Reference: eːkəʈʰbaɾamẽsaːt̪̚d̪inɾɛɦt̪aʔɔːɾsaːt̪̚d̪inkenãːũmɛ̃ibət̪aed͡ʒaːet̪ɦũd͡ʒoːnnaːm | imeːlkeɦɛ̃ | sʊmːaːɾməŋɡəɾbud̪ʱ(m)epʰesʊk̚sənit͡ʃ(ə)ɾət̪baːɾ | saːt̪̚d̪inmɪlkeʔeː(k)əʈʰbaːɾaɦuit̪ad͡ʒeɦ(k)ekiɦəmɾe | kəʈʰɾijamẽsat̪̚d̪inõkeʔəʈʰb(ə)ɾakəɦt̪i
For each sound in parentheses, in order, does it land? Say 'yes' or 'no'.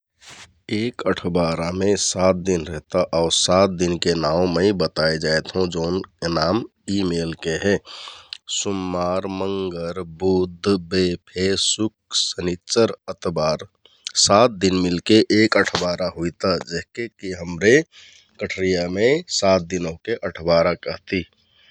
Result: no, yes, yes, yes, no

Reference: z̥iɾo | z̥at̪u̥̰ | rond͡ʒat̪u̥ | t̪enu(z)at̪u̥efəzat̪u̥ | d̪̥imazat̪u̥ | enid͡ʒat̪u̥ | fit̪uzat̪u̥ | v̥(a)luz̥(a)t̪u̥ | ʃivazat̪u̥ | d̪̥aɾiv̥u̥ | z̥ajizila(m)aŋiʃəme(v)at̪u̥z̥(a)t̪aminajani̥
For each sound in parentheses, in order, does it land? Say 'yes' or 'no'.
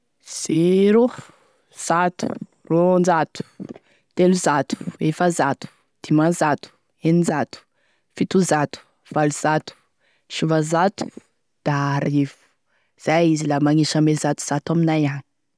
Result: yes, yes, yes, yes, no, yes

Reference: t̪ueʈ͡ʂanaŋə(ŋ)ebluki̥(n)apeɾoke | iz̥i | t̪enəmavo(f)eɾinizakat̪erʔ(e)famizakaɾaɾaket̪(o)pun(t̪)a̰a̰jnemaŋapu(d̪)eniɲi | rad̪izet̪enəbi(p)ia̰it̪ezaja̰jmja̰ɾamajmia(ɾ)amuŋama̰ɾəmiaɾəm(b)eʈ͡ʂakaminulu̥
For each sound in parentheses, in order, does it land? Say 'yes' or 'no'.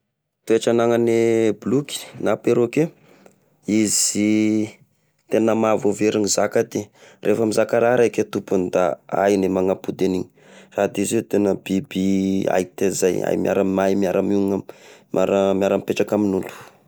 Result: no, yes, no, yes, no, no, yes, no, yes, no

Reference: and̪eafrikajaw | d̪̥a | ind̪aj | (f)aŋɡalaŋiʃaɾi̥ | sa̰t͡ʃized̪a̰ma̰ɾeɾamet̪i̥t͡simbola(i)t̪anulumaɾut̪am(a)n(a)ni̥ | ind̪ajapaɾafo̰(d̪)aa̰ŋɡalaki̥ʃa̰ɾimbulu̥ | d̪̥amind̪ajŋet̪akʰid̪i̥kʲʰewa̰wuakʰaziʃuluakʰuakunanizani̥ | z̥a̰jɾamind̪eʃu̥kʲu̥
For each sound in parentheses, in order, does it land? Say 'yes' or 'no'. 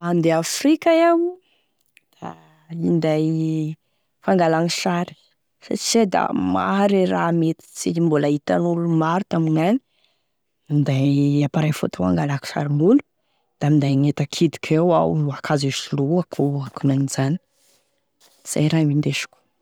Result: yes, yes, no, yes, no

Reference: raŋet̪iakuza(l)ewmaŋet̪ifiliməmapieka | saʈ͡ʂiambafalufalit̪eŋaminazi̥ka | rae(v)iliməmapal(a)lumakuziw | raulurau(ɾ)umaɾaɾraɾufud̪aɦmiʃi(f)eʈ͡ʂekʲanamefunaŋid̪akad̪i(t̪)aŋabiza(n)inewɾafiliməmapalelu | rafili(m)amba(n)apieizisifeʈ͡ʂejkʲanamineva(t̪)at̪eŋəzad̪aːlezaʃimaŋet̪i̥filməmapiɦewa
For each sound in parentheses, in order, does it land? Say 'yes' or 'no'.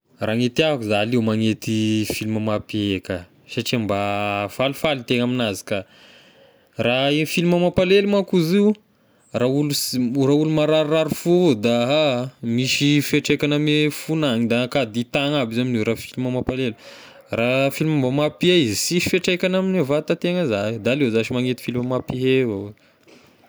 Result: yes, no, no, no, yes, yes, no, yes, no, yes

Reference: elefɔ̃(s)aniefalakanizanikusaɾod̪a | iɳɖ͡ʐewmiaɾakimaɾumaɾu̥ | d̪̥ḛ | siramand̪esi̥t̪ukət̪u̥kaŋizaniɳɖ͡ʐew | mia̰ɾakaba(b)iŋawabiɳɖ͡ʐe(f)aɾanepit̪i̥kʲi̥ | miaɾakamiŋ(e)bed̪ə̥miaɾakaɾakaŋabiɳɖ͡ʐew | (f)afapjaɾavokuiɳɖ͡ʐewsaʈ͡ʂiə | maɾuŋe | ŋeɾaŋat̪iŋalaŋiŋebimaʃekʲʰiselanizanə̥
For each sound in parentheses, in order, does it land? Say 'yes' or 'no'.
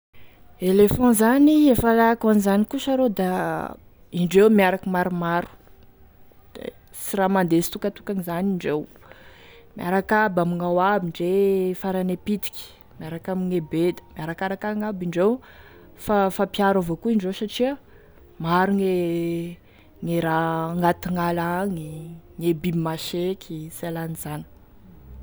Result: no, no, yes, yes, yes

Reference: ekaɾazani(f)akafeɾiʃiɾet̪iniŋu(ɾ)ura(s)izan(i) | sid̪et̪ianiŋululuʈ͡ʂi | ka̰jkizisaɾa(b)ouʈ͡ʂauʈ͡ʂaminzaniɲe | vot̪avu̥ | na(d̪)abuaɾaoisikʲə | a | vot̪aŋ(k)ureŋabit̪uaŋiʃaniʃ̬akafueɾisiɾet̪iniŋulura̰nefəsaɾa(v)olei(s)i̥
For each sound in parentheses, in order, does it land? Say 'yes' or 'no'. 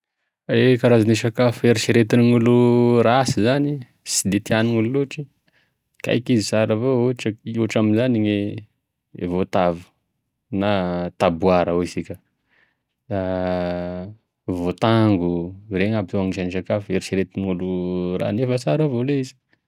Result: no, no, yes, yes, no, no, no, yes, no

